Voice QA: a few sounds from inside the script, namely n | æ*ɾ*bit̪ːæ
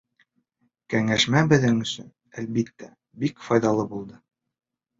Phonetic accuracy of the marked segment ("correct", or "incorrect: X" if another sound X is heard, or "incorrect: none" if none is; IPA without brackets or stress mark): incorrect: l